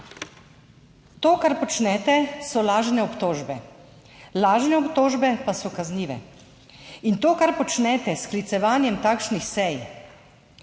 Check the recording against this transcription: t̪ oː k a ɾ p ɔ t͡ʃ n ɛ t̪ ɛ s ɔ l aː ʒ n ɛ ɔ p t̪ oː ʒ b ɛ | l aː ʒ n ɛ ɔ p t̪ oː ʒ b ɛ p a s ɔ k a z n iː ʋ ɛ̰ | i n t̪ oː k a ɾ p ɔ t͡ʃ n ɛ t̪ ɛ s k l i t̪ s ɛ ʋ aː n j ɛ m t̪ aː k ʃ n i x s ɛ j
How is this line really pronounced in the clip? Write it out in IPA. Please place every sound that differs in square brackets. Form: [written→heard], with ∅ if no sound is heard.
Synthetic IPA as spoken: t̪ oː k a ɾ p ɔ t͡ʃ n ɛ t̪ ɛ s ɔ l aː ʒ n ɛ ɔ p t̪ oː ʒ b ɛ | l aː ʒ n ɛ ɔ p t̪ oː ʒ b ɛ p a s ɔ k a z n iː ʋ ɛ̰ | i n t̪ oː k a ɾ p ɔ t͡ʃ n ɛ t̪ ɛ s k l i t̪ s ɛ ʋ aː n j ɛ m t̪ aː k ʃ n i x s ɛ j